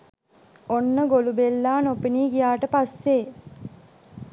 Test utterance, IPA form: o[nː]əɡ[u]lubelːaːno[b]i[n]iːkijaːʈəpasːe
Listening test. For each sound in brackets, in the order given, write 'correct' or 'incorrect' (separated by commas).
correct, incorrect, incorrect, correct